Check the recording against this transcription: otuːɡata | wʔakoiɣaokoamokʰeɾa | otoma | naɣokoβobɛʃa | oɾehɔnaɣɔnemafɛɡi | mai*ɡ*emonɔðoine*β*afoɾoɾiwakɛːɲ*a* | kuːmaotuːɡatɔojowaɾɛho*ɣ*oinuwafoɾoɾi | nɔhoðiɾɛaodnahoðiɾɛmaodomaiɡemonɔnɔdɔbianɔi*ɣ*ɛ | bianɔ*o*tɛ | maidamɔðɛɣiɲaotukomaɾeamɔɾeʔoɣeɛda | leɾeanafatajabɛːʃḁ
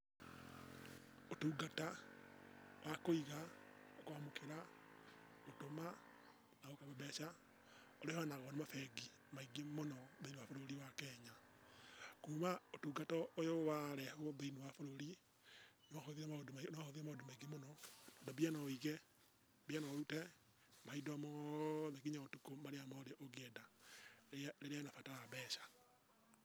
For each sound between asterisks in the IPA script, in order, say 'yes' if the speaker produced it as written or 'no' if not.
yes, no, yes, no, yes, no

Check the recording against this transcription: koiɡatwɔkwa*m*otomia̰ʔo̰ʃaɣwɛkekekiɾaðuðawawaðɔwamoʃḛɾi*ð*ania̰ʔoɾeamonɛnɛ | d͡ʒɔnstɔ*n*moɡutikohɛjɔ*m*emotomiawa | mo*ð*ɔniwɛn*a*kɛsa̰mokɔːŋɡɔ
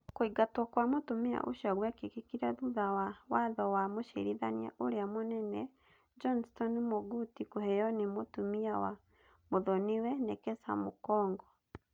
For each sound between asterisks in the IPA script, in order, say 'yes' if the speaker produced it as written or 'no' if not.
yes, yes, yes, no, yes, no

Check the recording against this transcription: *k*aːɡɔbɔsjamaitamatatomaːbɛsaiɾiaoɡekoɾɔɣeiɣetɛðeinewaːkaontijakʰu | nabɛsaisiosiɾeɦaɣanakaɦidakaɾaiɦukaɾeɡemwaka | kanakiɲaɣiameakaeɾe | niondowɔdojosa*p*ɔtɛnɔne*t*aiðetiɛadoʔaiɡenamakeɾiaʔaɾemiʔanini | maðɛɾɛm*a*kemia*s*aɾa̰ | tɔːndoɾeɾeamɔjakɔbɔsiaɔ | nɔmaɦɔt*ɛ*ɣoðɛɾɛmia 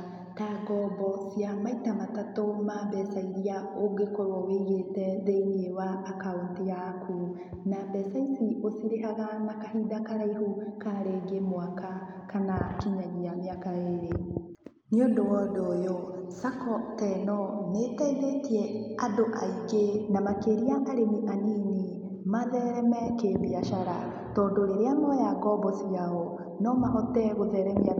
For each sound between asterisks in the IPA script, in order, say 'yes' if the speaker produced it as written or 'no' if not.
no, no, yes, no, no, yes

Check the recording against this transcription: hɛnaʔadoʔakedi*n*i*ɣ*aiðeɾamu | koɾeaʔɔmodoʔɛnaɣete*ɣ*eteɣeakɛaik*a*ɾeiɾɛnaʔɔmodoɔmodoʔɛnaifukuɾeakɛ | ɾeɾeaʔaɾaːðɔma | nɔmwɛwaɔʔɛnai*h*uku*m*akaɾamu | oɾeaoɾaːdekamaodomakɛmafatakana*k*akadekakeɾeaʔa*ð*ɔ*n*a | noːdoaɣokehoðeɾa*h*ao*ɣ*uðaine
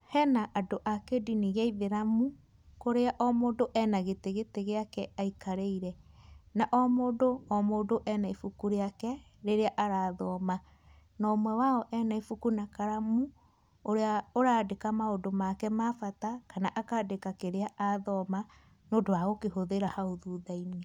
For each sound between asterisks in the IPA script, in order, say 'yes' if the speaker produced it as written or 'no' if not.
yes, yes, yes, yes, no, no, no, yes, no, yes, no

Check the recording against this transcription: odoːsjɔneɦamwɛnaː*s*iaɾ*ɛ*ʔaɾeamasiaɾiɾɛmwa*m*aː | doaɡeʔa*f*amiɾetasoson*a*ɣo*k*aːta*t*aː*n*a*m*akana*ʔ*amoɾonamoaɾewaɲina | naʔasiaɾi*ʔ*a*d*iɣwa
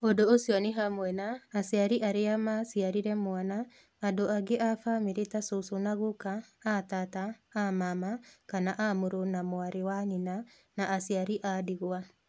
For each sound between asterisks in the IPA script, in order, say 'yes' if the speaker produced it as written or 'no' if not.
yes, no, no, yes, yes, yes, yes, no, yes, yes, yes, yes

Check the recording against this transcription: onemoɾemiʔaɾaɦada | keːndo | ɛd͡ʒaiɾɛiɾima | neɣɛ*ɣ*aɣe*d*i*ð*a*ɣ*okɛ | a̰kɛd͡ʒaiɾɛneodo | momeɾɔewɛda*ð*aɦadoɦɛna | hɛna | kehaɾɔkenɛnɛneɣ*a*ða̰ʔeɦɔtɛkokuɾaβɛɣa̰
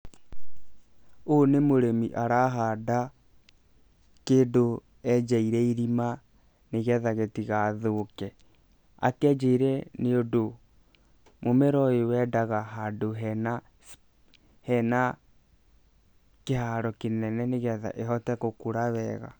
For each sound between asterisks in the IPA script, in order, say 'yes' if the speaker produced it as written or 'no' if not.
no, no, no, no, no, no

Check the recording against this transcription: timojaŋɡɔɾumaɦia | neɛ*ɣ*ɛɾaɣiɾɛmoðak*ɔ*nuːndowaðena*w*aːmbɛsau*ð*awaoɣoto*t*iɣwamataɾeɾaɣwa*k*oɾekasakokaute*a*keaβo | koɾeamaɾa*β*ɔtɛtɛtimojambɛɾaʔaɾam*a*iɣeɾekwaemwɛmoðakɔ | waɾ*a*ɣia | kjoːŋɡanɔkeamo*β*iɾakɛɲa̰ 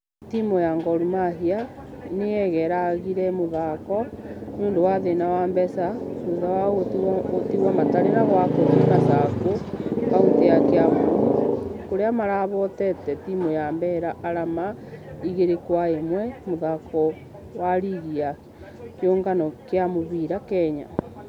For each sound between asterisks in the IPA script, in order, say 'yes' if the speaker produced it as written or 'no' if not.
yes, yes, yes, yes, yes, yes, yes, yes, yes, no, yes

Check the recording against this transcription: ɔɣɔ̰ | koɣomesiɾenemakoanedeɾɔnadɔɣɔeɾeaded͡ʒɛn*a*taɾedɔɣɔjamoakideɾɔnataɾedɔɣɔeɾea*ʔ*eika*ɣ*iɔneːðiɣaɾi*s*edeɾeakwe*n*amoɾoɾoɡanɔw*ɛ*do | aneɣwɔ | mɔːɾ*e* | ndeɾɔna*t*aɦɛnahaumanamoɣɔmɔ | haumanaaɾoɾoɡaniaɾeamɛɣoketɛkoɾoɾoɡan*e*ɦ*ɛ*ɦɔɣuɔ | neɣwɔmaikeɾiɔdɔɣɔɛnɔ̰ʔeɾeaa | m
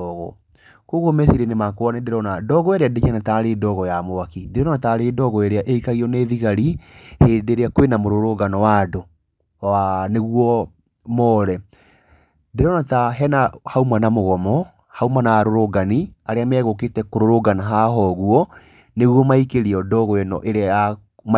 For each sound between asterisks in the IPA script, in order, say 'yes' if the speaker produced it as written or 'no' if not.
yes, yes, yes, no, yes, no, no, yes, no, no

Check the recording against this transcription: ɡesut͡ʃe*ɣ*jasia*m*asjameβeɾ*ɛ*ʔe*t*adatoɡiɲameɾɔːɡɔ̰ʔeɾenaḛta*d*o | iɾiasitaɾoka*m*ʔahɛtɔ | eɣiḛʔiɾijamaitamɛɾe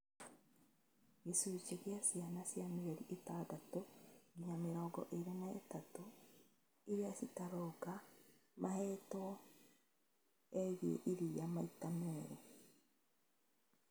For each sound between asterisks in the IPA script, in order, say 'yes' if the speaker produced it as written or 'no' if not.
yes, no, no, yes, no, yes

